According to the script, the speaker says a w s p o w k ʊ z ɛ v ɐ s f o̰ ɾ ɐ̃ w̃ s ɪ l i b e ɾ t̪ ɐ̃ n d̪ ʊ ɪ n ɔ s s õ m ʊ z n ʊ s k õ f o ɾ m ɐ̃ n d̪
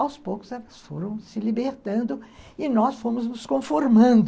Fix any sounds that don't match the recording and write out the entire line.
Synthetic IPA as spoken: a w s p o w k ʊ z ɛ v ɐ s f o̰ ɾ ɐ̃ w̃ s ɪ l i b e ɾ t̪ ɐ̃ n d̪ ʊ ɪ n ɔ s f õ m ʊ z n ʊ s k õ f o ɾ m ɐ̃ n d̪